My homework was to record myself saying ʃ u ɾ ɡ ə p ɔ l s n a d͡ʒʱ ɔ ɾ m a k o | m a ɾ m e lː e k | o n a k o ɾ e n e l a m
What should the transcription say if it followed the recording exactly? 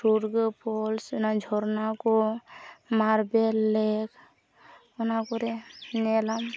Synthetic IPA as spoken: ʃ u ɾ ɡ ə p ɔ l s n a d͡ʒʱ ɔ ɾ n a k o | m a ɾ b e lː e k | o n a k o ɾ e n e l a m